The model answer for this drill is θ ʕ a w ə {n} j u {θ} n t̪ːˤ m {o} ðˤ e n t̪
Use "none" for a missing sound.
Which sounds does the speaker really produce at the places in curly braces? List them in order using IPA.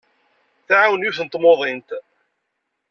n, θ, o

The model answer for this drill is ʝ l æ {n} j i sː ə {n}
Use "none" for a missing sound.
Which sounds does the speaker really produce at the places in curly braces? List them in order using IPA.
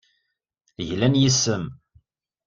n, m

